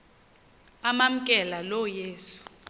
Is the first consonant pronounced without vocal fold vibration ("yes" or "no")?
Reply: no